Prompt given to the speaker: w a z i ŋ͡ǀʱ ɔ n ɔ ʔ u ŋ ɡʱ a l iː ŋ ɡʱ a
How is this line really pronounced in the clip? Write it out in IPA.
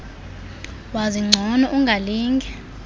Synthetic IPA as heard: w a z i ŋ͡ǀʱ ɔ n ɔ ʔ u ŋ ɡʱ a l iː ŋ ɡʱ ɛ